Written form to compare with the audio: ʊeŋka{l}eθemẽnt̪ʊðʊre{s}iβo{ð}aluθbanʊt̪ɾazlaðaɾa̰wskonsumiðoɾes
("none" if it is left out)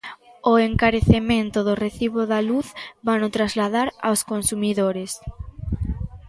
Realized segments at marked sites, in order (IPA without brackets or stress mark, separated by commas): ɾ, θ, ð